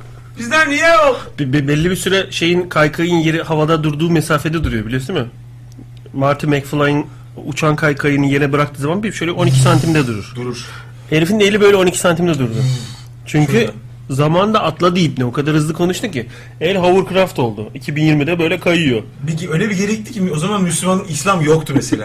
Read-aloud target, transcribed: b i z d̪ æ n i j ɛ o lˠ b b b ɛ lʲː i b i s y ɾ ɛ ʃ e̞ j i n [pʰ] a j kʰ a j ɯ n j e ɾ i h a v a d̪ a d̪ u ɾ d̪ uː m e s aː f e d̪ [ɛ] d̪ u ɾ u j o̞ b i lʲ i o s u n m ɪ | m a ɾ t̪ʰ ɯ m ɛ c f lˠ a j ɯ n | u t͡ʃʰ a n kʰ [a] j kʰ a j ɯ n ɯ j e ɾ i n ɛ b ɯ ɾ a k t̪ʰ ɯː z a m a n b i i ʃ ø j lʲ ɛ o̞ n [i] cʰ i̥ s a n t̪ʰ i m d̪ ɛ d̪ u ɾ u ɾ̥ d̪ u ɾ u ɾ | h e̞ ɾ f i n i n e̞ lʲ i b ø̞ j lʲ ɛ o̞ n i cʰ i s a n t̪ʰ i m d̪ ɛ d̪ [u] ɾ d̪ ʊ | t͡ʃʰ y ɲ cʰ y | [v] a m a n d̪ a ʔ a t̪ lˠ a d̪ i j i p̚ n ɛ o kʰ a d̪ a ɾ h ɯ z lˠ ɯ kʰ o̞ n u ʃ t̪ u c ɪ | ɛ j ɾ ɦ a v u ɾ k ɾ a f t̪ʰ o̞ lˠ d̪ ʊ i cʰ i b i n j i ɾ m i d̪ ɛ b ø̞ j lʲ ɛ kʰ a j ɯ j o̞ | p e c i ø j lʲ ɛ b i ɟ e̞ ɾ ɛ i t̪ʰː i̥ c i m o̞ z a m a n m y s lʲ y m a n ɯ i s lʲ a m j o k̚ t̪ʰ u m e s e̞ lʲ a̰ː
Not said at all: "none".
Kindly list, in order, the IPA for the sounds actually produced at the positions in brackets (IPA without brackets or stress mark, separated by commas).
kʰ, ɛ, a, i, u, z